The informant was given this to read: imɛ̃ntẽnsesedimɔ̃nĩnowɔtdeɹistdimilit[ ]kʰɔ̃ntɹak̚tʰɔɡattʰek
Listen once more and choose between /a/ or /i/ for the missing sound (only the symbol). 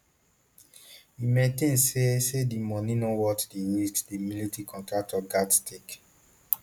i